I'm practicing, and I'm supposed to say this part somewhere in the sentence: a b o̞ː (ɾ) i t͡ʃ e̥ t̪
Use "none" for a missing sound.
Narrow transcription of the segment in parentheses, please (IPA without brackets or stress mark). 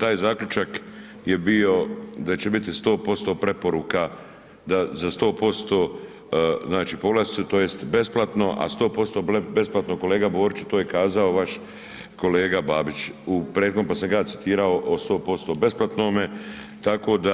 ɾ